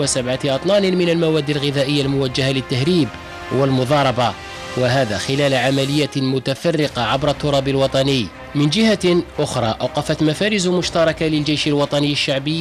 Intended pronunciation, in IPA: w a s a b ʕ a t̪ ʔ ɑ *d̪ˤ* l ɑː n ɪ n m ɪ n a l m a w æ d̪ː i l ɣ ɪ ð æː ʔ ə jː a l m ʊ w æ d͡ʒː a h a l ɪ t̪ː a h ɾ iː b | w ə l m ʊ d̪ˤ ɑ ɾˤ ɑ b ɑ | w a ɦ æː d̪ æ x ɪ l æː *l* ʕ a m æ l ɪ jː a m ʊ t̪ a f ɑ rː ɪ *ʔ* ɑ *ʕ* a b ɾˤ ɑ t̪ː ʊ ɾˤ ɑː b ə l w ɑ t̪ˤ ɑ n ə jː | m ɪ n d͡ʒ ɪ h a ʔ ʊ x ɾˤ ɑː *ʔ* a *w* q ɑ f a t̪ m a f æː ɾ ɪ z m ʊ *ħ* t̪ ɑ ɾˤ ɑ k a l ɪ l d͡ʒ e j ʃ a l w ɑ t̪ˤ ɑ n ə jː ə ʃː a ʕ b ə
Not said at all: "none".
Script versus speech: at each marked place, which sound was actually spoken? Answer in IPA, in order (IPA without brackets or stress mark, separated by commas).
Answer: t̪ˤ, l, q, ʕ, ʔ, w, ʃ